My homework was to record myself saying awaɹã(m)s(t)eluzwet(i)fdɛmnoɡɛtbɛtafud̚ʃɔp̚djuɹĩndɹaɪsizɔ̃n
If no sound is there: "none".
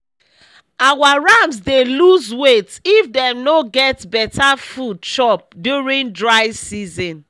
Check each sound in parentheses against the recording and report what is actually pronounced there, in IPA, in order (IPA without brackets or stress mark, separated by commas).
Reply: m, d, i